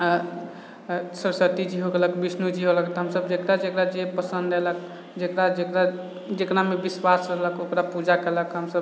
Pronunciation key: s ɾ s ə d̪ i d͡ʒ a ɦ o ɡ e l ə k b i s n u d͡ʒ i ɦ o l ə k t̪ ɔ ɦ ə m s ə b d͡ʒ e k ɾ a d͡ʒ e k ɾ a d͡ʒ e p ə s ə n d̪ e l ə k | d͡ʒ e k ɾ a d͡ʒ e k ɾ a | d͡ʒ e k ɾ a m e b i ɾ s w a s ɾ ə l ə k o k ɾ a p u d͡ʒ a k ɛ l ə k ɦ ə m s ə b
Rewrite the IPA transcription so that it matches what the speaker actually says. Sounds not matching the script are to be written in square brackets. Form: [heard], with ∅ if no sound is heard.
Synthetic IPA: s ɾ s ə [t̪] i d͡ʒ [i] ɦ o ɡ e l ə k b i s n u d͡ʒ i ɦ o l ə k t̪ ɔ ɦ ə m s ə b d͡ʒ e k ɾ a d͡ʒ e k ɾ a d͡ʒ e p ə s ə n d̪ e l ə k | d͡ʒ e k ɾ a d͡ʒ e k ɾ a | d͡ʒ e k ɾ a m e b i [∅] s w a s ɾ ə l ə k o k ɾ a p u d͡ʒ a k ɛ l ə k ɦ ə m s ə b